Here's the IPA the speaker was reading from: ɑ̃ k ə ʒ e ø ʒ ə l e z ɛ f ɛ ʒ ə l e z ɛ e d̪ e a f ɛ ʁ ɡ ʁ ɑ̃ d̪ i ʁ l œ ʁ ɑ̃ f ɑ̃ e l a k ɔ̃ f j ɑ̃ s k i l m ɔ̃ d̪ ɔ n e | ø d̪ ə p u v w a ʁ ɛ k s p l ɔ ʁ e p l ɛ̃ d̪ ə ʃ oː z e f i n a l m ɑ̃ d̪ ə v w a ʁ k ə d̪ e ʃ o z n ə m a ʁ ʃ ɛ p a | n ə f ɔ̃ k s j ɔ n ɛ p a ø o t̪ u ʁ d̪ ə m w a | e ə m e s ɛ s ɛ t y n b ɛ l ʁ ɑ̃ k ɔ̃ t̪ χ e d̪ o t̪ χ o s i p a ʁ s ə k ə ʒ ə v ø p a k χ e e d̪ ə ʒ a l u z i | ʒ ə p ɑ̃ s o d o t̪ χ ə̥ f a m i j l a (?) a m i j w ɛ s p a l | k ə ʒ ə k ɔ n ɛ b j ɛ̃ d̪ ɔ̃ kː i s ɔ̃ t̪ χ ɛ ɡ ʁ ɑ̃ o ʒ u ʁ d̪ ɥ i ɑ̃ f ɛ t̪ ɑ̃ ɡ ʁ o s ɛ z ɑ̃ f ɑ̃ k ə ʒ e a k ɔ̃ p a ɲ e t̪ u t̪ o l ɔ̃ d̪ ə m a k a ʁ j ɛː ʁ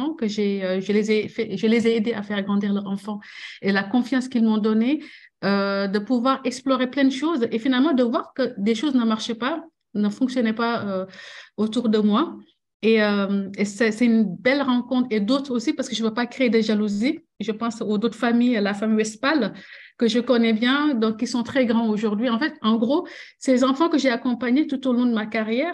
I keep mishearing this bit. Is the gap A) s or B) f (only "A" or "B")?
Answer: B